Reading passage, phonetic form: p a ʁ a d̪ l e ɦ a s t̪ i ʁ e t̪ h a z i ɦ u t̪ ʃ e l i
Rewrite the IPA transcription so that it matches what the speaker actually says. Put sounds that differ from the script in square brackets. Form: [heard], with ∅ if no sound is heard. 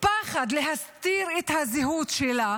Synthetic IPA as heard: p a [χ] a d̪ l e ɦ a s t̪ i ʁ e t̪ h a z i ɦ u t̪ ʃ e l [a]